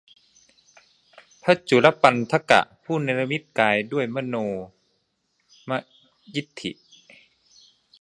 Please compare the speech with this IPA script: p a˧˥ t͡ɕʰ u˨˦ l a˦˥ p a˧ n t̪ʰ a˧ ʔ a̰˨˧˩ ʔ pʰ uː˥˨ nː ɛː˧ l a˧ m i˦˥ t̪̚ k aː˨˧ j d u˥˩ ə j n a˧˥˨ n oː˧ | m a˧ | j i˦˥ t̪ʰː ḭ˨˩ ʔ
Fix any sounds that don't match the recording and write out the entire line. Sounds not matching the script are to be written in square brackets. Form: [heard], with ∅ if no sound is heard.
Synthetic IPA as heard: [pʰ] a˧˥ [t͡ɕ] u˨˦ l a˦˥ p a˧ n t̪ʰ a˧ [k] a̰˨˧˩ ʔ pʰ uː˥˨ [n] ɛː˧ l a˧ m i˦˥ t̪̚ k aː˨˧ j d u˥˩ ə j [m] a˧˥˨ n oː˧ | m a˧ | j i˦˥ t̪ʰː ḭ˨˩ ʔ

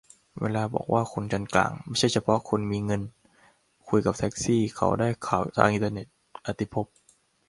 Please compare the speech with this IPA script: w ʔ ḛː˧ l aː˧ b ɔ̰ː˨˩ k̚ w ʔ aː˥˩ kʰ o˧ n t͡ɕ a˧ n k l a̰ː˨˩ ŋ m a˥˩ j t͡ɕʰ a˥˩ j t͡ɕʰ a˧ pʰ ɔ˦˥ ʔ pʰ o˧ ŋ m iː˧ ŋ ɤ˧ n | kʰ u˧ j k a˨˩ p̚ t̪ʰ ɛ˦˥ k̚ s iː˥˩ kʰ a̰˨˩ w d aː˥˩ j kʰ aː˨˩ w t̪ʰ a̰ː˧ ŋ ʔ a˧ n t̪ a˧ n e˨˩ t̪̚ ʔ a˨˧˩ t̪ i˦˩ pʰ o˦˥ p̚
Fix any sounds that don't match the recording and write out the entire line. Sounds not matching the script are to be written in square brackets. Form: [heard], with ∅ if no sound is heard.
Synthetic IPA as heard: w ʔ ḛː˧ l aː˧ b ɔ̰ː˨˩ k̚ w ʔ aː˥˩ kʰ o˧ n t͡ɕ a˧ n k l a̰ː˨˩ ŋ m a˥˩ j t͡ɕʰ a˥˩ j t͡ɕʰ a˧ pʰ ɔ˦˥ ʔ [kʰ] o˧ [n] m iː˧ ŋ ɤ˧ n | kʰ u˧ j k a˨˩ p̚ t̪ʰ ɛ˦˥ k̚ s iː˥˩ kʰ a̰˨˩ w d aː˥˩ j kʰ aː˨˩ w t̪ʰ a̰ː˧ ŋ ʔ [i˧] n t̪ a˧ n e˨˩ t̪̚ ʔ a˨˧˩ t̪ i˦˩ pʰ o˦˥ p̚

